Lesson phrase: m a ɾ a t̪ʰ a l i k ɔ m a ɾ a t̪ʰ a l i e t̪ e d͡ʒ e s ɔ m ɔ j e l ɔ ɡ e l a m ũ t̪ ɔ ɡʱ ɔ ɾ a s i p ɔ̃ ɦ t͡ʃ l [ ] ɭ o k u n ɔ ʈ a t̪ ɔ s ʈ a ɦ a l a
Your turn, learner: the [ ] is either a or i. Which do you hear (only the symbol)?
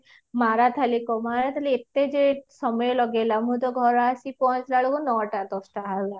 a